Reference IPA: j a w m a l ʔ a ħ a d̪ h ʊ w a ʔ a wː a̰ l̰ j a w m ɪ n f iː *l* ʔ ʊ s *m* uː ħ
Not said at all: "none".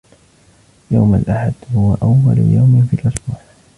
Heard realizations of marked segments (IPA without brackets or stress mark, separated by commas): l, b